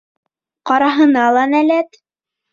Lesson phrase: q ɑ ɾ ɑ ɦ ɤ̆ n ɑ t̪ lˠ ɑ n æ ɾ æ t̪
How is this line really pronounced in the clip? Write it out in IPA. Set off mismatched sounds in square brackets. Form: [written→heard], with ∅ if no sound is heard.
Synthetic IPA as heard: q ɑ ɾ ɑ ɦ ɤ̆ n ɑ [t̪→∅] lˠ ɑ n æ [ɾ→l] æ t̪